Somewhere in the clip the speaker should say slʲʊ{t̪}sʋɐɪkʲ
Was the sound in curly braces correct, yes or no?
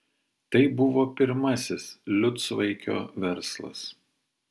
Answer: yes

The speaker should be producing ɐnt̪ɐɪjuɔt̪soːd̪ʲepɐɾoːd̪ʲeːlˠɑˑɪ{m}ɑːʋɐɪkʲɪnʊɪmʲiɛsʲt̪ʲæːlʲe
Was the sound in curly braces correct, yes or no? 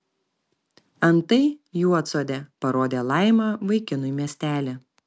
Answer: yes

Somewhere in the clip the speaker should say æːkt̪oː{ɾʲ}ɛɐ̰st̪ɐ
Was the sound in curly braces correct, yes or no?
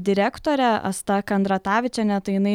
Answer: yes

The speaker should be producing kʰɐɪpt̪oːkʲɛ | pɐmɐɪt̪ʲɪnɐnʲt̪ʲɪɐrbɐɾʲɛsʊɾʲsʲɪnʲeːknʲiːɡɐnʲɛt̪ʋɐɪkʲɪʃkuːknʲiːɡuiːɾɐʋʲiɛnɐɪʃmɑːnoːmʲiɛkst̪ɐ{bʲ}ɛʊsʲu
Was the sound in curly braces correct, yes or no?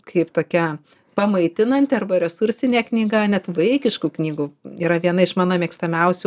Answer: no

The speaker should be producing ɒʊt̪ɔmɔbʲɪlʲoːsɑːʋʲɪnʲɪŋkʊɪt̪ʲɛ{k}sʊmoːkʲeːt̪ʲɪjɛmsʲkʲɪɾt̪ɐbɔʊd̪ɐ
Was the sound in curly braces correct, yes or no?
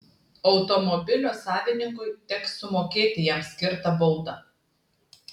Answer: yes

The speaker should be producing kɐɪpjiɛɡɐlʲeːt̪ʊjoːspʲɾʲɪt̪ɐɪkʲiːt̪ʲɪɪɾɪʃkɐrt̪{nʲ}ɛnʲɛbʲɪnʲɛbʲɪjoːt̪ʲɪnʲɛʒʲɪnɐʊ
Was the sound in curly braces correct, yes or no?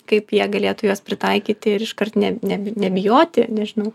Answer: yes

